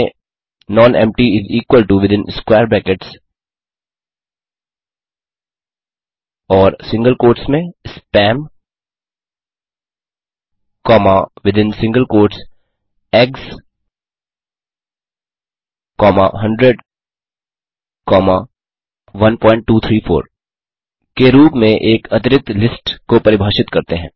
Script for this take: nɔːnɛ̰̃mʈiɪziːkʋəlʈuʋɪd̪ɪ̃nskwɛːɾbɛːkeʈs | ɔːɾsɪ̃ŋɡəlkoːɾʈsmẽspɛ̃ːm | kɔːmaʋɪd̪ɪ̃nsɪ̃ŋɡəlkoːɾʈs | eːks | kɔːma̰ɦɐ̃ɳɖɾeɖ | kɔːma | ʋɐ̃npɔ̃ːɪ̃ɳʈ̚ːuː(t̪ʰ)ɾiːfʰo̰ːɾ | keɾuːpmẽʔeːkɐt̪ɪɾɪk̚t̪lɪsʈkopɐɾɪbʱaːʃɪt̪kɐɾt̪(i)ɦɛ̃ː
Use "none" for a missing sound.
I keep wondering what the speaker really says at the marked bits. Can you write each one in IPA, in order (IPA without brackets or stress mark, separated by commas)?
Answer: t̪ʰ, e